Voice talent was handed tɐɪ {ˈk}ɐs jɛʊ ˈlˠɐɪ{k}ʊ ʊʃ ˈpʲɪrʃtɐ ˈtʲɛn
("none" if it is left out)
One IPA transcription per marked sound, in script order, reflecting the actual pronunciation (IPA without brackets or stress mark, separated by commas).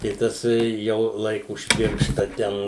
t, k